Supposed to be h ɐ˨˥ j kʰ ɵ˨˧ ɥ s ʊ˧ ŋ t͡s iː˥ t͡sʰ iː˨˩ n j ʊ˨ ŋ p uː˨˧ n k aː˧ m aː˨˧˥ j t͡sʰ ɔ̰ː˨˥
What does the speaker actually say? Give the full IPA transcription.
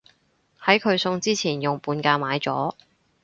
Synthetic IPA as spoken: h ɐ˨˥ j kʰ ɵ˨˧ ɥ s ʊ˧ ŋ t͡s iː˥ t͡sʰ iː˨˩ n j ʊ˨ ŋ p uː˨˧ n k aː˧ m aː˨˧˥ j t͡s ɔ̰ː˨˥